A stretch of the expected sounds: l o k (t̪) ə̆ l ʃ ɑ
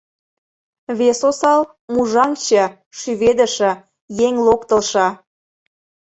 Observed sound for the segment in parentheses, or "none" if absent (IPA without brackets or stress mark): t̪